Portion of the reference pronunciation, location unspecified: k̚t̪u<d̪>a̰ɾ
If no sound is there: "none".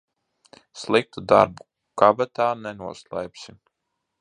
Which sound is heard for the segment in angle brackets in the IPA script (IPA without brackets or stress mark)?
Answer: d̪